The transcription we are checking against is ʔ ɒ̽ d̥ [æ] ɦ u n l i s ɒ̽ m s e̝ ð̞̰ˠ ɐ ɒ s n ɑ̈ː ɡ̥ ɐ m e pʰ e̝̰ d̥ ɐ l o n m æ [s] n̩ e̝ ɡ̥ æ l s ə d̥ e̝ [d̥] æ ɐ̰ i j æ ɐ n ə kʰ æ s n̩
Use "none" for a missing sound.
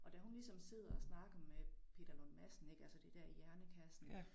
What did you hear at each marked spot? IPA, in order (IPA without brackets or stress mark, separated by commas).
æ, s, d̥